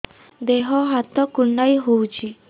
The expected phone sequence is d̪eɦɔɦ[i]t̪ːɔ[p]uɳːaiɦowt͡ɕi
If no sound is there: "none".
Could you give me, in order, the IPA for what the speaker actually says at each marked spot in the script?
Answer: a, k

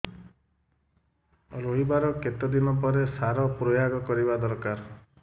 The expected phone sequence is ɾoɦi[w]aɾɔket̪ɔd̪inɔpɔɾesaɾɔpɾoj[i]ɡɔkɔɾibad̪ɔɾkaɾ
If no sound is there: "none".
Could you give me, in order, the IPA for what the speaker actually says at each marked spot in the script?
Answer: b, a

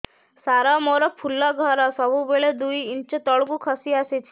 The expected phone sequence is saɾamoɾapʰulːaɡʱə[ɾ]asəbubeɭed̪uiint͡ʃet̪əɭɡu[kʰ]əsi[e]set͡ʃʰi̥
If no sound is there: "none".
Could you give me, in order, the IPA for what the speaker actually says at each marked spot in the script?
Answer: ɾ, kʰ, a

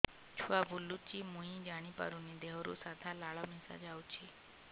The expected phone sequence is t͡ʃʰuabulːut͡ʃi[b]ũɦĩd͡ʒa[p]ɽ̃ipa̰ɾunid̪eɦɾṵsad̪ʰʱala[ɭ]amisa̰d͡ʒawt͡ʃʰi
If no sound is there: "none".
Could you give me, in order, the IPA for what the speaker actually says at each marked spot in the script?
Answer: m, none, ɭ

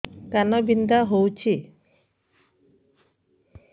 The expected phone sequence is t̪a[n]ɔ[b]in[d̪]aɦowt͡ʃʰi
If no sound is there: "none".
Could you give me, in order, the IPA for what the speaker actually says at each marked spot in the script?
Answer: n, b, d̪

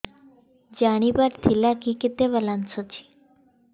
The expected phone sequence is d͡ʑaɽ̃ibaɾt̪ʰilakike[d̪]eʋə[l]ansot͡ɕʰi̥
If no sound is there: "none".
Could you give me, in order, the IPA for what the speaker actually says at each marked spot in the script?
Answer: t̪, l

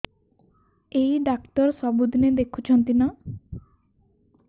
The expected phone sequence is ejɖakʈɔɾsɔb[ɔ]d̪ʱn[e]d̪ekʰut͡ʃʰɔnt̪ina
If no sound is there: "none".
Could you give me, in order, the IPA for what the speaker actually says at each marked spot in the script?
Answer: u, e

